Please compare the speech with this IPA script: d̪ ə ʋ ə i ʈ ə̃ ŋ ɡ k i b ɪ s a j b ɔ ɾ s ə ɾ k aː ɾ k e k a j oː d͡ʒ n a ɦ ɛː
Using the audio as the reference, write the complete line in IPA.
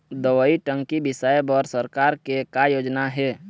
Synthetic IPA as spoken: d̪ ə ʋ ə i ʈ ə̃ ŋ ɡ k i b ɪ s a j b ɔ ɾ s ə ɾ k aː ɾ k e k a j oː d͡ʒ n a ɦ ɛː